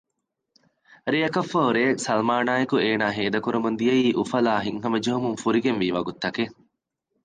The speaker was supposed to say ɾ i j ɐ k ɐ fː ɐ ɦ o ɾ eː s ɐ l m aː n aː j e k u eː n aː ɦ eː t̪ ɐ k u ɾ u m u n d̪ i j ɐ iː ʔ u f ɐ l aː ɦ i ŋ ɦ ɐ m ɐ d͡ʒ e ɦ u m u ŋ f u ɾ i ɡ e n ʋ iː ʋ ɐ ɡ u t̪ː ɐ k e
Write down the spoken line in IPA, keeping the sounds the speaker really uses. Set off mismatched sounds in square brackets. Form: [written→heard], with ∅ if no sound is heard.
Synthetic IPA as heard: ɾ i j ɐ k ɐ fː ɐ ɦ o ɾ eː s ɐ l m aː n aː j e k u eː n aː ɦ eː [t̪→d̪] ɐ k u ɾ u m u n d̪ i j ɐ iː ʔ u f ɐ l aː ɦ i ŋ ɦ ɐ m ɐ d͡ʒ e ɦ u m u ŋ f u ɾ i ɡ e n ʋ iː ʋ ɐ ɡ u t̪ː ɐ k e

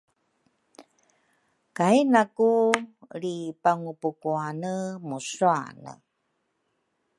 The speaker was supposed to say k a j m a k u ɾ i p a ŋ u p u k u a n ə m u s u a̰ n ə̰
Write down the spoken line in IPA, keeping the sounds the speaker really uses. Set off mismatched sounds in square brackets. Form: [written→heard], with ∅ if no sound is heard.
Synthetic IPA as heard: k a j [m→n] a k u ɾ i p a ŋ u p u k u a n ə m u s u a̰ n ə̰

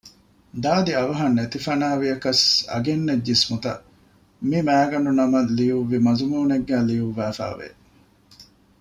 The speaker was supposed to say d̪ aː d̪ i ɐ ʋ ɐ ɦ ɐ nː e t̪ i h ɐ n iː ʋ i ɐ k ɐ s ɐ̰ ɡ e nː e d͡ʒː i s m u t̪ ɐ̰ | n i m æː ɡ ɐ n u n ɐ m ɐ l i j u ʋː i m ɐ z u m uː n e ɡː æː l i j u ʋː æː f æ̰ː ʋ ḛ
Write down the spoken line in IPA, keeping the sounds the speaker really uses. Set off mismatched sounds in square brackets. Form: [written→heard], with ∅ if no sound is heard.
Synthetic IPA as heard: d̪ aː d̪ i ɐ ʋ ɐ ɦ ɐ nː e t̪ i [h→f] ɐ n [iː→aː] ʋ i ɐ k ɐ s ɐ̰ ɡ e nː e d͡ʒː i s m u t̪ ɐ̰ | [n→m] i m æː ɡ ɐ n u n ɐ m ɐ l i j u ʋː i m ɐ z u m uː n e ɡː æː l i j u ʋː æː f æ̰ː ʋ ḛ

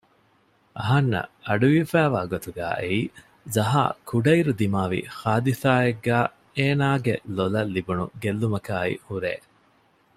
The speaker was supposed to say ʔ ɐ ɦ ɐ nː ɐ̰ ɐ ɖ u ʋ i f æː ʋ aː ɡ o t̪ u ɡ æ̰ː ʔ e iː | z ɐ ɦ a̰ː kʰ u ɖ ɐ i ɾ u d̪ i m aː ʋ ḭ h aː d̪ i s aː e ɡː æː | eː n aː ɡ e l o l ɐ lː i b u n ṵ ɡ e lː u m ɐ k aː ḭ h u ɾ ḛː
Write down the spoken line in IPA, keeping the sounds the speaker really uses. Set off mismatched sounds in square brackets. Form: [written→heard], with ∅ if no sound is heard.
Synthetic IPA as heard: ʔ ɐ ɦ ɐ nː ɐ̰ ɐ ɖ u ʋ i f æː ʋ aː ɡ o t̪ u ɡ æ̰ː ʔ e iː | z ɐ ɦ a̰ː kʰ u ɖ ɐ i ɾ u d̪ i m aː ʋ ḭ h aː d̪ i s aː e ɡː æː | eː n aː ɡ e l o l ɐ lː i b u n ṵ ɡ e lː u m ɐ k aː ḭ h u ɾ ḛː

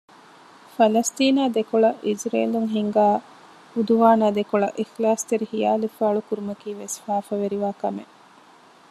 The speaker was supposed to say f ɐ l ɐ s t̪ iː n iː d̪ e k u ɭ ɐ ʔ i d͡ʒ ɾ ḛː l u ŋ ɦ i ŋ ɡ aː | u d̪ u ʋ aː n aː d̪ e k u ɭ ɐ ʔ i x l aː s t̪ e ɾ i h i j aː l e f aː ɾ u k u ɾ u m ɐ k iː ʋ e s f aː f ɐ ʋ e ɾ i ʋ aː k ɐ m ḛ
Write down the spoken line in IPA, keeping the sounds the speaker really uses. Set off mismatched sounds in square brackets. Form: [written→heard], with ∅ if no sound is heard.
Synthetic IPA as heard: f ɐ l ɐ s t̪ iː n [iː→aː] d̪ e k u ɭ ɐ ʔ i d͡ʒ ɾ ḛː l u ŋ ɦ i ŋ ɡ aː | u d̪ u ʋ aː n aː d̪ e k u ɭ ɐ ʔ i x l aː s t̪ e ɾ i h i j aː l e f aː [ɾ→ɭ] u k u ɾ u m ɐ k iː ʋ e s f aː f ɐ ʋ e ɾ i ʋ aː k ɐ m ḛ

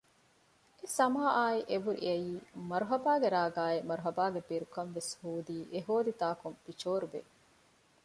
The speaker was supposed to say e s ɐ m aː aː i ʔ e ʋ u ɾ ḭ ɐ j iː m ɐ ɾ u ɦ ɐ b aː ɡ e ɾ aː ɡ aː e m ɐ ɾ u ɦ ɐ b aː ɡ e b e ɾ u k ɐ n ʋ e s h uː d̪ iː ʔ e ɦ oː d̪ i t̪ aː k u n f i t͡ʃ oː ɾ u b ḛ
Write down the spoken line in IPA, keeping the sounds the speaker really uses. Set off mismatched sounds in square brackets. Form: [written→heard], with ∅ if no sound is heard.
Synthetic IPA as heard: e s ɐ m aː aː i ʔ e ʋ u ɾ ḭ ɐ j iː m ɐ ɾ u ɦ ɐ b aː ɡ e ɾ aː ɡ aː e m ɐ ɾ u ɦ ɐ b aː ɡ e b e ɾ u k ɐ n ʋ e s h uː d̪ iː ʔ e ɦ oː d̪ i t̪ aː k u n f i t͡ʃ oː ɾ u b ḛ

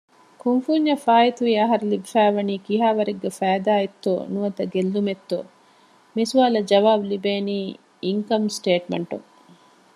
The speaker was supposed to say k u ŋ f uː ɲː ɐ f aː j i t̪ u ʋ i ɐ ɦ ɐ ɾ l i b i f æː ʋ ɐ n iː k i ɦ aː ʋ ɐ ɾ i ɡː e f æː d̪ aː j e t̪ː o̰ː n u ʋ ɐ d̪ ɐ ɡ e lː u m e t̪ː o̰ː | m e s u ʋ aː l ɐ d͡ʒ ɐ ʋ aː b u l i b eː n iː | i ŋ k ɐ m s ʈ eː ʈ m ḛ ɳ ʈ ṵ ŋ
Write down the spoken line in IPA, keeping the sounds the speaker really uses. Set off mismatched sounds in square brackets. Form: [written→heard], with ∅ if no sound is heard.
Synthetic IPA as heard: k u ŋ f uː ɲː ɐ f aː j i t̪ u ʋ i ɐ ɦ ɐ ɾ l i b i f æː ʋ ɐ n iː k i ɦ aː ʋ ɐ ɾ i ɡː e f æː d̪ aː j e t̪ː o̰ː n u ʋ ɐ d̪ ɐ ɡ e lː u m e t̪ː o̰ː | m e s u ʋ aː l ɐ d͡ʒ ɐ ʋ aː b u l i b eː n iː | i ŋ k ɐ m s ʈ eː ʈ m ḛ ɳ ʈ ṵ ŋ

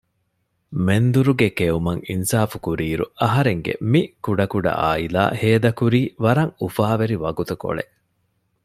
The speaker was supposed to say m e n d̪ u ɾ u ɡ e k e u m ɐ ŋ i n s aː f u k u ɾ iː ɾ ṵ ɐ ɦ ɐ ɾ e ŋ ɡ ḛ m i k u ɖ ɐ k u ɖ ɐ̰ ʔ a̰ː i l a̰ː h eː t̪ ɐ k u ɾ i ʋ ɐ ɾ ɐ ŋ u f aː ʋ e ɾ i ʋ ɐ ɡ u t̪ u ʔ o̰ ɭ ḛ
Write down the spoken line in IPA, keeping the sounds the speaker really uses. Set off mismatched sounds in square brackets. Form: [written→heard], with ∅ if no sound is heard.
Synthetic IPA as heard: m e n d̪ u ɾ u ɡ e k e u m ɐ ŋ i n s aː f u k u ɾ iː ɾ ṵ ɐ ɦ ɐ ɾ e ŋ ɡ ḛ m i k u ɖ ɐ k u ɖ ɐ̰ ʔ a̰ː i l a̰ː h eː [t̪→d̪] ɐ k u ɾ [i→iː] ʋ ɐ ɾ ɐ ŋ u f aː ʋ e ɾ i ʋ ɐ ɡ u t̪ u [ʔ→k] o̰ ɭ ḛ

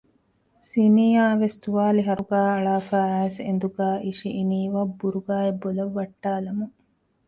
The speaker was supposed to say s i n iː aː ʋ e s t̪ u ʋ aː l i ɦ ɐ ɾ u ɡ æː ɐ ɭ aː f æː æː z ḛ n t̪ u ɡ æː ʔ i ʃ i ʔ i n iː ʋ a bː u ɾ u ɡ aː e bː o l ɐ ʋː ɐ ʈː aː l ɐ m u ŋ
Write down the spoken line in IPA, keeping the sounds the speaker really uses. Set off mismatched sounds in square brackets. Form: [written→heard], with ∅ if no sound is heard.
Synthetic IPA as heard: s i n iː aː ʋ e s t̪ u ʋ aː l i ɦ ɐ ɾ u ɡ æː ɐ ɭ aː f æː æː [z→s] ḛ n [t̪→d̪] u ɡ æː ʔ i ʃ i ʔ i n iː ʋ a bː u ɾ u ɡ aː e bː o l ɐ ʋː ɐ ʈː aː l ɐ m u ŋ

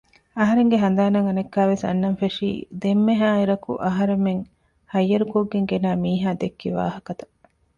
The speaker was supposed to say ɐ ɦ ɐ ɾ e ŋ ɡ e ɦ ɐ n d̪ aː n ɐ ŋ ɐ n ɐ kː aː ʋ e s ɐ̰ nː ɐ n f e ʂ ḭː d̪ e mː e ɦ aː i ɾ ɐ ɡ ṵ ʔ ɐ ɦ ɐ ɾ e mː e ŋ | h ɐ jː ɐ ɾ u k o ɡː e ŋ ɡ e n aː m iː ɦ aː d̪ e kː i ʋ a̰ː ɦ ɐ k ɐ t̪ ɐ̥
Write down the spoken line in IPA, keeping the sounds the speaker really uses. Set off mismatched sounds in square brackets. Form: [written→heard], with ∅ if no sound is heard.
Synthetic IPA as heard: ɐ ɦ ɐ ɾ e ŋ ɡ e ɦ ɐ n d̪ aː n ɐ ŋ ɐ n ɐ kː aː ʋ e s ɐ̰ nː ɐ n f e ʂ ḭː d̪ e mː e ɦ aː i ɾ ɐ [ɡ→k] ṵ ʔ ɐ ɦ ɐ ɾ e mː e ŋ | h ɐ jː ɐ ɾ u k o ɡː e ŋ ɡ e n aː m iː ɦ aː d̪ e kː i ʋ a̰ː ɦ ɐ k ɐ t̪ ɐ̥

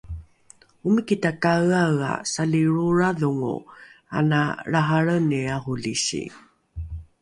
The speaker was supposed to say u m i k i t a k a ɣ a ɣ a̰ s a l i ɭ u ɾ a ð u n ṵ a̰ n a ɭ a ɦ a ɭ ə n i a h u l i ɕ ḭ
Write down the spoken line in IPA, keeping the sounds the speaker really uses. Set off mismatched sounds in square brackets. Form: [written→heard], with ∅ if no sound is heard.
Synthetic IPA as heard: u m i k i t a k a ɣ a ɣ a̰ s a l i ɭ u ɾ a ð u [n→ŋ] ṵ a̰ n a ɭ a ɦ a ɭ ə n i a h u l i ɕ ḭ

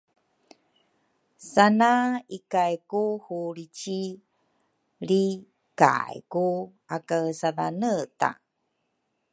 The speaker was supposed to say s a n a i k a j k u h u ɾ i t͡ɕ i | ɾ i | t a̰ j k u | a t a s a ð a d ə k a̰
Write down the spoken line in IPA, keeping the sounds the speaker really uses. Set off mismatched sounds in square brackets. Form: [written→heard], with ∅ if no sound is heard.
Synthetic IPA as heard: s a n a i k a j k u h u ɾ i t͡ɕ i | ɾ i | [t→k] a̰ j k u | a [t→k] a s a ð a [d→n] ə [k→t] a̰

